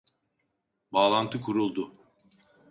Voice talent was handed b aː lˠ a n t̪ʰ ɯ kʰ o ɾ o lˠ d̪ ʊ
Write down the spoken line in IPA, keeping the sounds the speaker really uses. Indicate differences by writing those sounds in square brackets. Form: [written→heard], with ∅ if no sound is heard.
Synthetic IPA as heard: b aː lˠ a n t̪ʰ ɯ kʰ [o→u] ɾ [o→u] lˠ d̪ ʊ